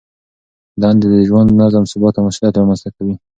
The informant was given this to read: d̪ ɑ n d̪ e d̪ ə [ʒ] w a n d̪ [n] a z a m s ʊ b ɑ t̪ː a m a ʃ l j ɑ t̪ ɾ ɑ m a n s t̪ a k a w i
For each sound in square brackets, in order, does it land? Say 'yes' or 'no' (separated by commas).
yes, yes